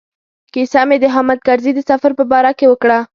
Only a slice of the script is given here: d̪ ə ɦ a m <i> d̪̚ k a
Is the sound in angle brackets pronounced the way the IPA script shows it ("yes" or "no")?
no